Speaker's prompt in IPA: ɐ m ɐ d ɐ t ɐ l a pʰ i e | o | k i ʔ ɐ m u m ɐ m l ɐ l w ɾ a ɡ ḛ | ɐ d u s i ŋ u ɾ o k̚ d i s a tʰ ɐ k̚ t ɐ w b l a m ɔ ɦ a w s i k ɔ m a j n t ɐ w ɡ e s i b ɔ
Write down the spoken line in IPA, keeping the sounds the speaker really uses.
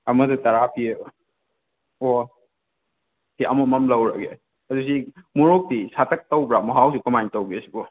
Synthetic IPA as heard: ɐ m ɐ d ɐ t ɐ ɾ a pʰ i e | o | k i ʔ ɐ m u m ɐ m l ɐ w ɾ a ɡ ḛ | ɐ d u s i m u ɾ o k̚ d i s a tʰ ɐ k̚ t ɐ w b ɾ a m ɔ ɦ a w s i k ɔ m a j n t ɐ w ɡ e s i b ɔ